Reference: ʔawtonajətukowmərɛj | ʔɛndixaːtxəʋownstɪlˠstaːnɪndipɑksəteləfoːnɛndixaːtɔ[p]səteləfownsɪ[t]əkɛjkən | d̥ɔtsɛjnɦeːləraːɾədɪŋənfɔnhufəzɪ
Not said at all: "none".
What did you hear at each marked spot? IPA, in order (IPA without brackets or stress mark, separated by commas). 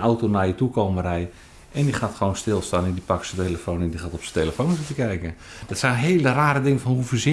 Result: p, t